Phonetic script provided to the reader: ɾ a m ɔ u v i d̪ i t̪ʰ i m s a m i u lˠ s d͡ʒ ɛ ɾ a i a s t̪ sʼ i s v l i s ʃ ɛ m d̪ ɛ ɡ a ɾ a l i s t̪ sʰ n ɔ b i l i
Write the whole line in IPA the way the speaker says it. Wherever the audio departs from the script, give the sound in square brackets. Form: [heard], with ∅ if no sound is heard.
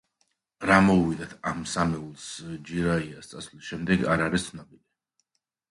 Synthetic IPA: ɾ a m ɔ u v i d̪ [a] t̪ʰ [a] m s a m [ɛ] u lˠ s d͡ʒ [i] ɾ a i a s t̪ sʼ [a] s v l i s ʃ ɛ m d̪ ɛ ɡ a ɾ a [ɾ] i s t̪ sʰ n ɔ b i l i